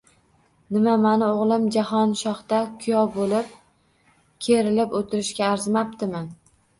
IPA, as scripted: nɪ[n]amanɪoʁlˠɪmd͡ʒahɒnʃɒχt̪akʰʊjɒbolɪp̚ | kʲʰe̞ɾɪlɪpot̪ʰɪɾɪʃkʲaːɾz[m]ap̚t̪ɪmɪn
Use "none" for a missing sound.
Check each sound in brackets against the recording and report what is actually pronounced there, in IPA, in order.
m, m

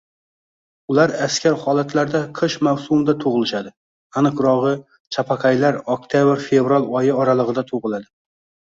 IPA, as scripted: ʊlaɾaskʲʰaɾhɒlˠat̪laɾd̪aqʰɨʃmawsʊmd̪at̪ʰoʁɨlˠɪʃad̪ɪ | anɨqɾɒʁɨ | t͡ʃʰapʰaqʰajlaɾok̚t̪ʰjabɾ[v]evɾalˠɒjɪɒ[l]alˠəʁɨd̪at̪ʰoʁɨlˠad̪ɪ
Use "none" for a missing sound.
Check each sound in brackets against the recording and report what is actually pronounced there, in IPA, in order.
f, ɾ

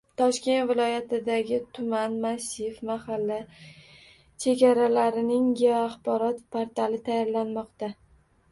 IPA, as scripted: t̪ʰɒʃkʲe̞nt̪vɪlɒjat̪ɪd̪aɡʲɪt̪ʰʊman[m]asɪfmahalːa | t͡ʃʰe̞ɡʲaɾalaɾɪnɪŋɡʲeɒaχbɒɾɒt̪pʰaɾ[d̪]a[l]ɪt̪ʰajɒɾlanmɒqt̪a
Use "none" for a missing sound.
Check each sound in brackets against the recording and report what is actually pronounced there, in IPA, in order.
m, t̪, l

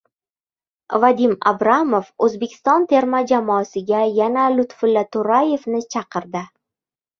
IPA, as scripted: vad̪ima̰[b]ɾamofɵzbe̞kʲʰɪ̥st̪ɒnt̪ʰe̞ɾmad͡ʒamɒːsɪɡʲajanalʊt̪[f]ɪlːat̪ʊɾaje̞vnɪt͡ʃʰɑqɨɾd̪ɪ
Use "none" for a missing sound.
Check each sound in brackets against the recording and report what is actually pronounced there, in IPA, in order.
b, f

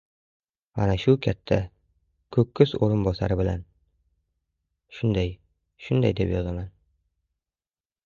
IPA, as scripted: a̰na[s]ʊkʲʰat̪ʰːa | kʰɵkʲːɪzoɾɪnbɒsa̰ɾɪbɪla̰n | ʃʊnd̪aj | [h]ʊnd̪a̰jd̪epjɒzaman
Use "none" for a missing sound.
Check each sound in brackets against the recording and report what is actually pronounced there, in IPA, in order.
ʃ, ʃ

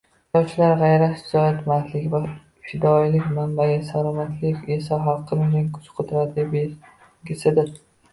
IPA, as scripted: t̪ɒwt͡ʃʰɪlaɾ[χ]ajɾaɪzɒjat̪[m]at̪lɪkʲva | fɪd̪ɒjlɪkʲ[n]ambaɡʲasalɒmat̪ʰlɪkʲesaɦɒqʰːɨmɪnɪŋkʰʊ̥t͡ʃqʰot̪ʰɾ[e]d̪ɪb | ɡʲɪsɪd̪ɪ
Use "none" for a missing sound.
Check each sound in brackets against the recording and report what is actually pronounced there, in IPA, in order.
ʁ, m, m, a

